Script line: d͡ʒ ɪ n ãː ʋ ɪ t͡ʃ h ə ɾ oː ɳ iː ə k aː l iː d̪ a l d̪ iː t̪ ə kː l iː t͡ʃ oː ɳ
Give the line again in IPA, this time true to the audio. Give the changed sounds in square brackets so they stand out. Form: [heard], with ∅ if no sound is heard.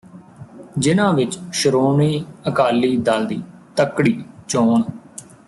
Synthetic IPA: d͡ʒ ɪ n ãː ʋ ɪ t͡ʃ [ʃ] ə ɾ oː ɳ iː ə k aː l iː d̪ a l d̪ iː t̪ ə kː [ɽ] iː t͡ʃ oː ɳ